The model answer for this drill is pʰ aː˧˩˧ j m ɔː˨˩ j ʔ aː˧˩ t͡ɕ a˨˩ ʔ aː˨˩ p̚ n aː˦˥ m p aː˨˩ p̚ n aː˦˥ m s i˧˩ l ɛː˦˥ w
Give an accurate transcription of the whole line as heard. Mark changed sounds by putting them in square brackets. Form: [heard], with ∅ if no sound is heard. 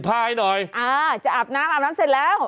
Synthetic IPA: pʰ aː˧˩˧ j [n] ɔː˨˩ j ʔ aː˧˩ t͡ɕ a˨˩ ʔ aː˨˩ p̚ n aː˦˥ m [ʔ] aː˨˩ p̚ n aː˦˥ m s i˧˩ l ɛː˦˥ w